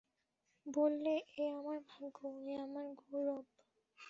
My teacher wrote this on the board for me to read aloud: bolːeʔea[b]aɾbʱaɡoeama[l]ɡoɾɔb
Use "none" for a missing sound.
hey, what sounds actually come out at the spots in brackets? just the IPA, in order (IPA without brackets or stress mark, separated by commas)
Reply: m, ɾ